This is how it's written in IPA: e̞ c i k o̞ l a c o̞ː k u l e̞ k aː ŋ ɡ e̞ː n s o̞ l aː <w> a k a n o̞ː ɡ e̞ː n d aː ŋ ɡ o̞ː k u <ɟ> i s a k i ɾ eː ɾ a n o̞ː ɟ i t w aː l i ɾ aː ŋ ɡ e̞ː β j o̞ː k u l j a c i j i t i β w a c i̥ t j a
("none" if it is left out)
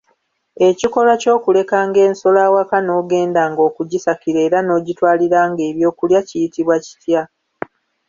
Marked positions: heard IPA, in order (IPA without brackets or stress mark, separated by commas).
w, ɟ